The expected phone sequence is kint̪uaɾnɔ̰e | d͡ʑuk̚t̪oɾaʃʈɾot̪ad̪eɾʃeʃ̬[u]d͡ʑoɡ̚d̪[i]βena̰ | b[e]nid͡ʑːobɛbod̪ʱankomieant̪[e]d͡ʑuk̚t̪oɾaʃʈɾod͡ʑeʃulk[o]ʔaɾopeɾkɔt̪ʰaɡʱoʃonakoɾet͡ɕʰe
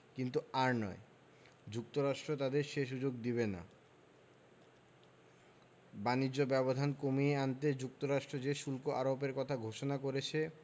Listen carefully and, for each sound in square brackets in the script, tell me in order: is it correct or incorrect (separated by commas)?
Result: correct, correct, incorrect, correct, correct